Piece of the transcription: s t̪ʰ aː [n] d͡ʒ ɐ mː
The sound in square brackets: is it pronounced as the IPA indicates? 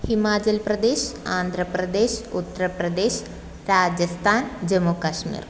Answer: yes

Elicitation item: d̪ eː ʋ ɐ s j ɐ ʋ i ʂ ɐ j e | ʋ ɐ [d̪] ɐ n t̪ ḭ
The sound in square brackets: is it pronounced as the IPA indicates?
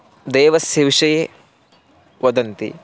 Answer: yes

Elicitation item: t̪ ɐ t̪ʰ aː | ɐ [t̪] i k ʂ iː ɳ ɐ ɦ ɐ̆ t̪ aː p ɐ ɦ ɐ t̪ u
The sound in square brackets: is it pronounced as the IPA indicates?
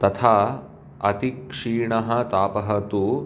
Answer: yes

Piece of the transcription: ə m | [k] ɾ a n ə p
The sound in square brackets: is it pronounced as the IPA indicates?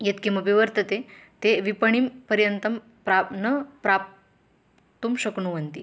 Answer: no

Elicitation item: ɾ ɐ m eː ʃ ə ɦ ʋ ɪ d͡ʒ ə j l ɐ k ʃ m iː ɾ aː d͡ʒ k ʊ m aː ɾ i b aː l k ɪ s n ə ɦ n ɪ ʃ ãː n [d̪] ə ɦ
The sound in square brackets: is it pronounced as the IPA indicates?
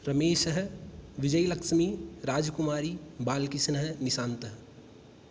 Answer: no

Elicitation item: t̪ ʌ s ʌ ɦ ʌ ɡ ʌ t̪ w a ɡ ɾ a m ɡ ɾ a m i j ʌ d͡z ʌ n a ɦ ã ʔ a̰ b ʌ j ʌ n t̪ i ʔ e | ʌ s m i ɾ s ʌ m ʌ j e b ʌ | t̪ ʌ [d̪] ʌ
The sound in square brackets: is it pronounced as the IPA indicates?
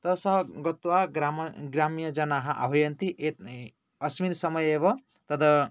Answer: yes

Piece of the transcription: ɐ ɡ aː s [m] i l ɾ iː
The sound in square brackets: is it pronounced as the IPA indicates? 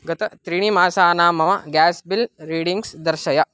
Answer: no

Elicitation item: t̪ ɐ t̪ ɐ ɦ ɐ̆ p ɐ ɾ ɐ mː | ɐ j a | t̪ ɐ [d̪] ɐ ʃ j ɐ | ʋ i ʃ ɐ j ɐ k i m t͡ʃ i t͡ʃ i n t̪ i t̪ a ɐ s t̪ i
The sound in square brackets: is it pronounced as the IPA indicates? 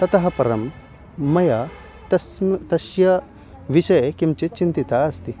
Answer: no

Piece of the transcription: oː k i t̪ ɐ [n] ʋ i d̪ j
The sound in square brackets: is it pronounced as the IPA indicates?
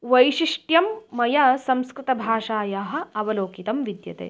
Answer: no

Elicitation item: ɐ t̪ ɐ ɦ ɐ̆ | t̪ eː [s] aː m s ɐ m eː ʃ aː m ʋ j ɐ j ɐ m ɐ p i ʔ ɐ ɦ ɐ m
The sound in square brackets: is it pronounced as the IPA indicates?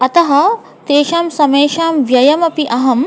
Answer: no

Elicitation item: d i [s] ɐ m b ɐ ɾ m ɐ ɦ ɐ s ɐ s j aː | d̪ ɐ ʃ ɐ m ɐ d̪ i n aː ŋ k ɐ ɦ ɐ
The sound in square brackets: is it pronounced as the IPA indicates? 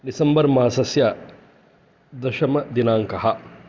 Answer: yes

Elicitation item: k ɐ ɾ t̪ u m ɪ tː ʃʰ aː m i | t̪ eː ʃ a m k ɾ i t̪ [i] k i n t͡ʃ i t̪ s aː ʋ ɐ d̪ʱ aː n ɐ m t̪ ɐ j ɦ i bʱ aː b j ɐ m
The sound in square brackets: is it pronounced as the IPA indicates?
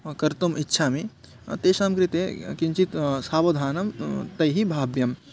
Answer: no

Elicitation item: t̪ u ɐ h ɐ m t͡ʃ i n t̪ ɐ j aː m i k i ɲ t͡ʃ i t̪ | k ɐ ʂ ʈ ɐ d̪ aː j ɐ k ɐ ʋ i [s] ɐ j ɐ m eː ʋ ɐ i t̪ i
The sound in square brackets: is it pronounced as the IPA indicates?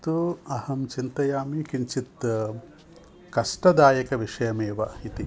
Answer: no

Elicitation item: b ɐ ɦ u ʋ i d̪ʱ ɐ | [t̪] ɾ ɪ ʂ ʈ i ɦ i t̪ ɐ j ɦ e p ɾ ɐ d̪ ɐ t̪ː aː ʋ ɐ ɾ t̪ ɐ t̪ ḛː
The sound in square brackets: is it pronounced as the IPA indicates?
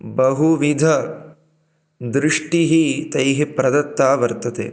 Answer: no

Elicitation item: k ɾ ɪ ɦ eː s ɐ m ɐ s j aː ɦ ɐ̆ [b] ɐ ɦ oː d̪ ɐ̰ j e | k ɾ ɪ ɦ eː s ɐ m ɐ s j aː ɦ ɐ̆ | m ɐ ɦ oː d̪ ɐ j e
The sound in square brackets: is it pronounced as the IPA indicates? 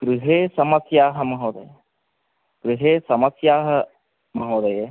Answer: no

